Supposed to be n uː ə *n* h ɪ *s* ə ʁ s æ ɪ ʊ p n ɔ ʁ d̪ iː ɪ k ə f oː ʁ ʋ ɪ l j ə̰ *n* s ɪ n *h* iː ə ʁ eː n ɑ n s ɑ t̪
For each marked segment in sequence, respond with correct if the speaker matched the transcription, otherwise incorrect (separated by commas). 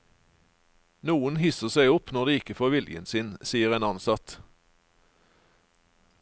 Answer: correct, correct, correct, incorrect